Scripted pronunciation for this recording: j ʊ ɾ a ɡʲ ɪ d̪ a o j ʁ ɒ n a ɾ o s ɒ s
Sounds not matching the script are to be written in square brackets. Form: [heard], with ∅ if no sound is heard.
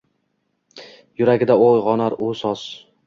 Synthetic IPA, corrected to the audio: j ʊ ɾ a ɡʲ ɪ d̪ a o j ʁ ɒ n a ɾ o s ɒ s